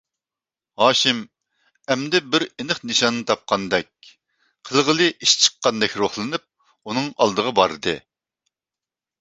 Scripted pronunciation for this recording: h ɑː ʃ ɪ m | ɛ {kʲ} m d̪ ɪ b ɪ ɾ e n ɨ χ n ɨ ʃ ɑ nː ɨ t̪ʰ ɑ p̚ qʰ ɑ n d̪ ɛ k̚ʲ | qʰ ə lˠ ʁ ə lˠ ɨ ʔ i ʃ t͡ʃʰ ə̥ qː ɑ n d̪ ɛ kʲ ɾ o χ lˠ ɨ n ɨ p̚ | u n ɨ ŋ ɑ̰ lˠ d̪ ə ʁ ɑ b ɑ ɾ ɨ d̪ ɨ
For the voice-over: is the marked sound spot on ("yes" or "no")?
no